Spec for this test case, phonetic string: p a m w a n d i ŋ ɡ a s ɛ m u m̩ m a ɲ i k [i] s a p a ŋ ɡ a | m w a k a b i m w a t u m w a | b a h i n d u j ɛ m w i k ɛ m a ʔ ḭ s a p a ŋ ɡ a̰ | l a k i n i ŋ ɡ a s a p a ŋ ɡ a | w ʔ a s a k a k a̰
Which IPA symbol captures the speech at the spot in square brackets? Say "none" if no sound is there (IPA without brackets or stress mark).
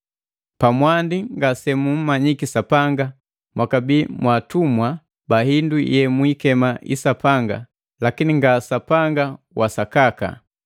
i